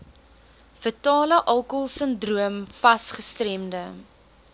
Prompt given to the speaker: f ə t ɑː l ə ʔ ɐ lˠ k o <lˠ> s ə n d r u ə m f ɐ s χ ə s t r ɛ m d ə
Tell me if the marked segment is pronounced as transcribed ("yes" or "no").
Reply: yes